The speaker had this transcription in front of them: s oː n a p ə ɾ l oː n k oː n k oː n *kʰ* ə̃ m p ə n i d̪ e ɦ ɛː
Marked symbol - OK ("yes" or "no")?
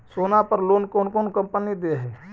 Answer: no